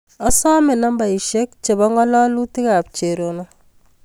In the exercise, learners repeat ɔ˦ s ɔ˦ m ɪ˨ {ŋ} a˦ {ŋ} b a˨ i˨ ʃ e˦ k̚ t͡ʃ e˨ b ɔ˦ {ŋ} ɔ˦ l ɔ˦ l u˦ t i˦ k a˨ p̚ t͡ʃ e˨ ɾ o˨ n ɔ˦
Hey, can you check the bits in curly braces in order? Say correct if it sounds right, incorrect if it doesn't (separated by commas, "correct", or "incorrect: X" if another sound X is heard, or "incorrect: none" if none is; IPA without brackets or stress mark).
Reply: incorrect: n, incorrect: m, correct